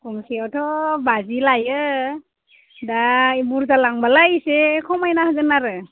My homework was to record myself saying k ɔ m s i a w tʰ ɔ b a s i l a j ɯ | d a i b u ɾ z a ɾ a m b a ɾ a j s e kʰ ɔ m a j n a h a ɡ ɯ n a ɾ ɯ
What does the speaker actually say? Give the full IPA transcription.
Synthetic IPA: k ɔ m s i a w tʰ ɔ b a z i l a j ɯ | d a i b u ɾ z a l a ŋ b a l a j s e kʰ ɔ m a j n a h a ɡ ɯ n a ɾ ɯ

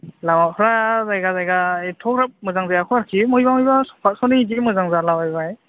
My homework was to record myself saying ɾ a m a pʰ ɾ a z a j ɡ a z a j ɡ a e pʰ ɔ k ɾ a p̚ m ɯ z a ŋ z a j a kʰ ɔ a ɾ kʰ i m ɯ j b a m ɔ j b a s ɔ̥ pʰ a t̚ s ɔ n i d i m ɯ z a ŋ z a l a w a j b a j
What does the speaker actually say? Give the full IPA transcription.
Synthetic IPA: l a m a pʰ ɾ a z a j ɡ a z a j ɡ a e tʰ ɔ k ɾ a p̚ m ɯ z a ŋ z a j a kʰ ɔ a ɾ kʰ i m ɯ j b a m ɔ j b a s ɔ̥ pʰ a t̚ s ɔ n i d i m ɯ z a ŋ z a l a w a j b a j

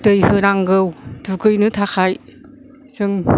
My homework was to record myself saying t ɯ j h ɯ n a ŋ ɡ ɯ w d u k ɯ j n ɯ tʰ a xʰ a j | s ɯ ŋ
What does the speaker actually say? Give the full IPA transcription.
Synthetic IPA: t ɯ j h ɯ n a ŋ ɡ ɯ w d u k ɯ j n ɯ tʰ a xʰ a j | s ɯ ŋ

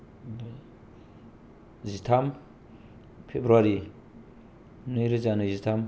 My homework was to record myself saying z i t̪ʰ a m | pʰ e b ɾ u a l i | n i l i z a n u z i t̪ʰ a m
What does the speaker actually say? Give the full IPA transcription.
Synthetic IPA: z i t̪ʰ a m | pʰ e b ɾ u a ɾ i | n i ɾ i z a n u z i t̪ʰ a m

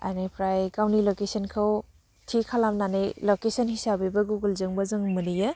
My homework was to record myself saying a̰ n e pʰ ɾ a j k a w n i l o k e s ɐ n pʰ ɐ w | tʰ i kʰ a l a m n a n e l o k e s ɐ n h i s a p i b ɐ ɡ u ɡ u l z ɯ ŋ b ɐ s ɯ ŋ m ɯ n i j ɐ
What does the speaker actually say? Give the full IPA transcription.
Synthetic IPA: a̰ n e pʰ ɾ a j k a w n i l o k e s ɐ n kʰ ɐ w | tʰ i kʰ a l a m n a n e l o k e s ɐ n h i s a b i b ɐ ɡ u ɡ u l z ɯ ŋ b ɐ z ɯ ŋ m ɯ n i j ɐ

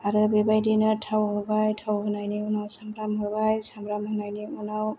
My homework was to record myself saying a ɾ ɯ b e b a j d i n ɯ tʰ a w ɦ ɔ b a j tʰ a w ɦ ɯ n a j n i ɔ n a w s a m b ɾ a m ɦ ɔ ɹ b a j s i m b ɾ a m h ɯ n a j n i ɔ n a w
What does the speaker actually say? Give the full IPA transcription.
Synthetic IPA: a ɾ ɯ b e b a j d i n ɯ tʰ a w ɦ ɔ b a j tʰ a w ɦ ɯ n a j n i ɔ n a w s a m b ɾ a m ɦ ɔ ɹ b a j s a m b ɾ a m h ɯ n a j n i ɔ n a w

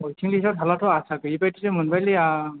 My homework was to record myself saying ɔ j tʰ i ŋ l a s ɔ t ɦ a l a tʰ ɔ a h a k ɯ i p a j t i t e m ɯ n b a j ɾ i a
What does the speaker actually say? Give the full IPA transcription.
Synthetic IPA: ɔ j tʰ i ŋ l i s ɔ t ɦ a l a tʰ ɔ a s a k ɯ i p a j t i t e m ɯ n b a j l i a

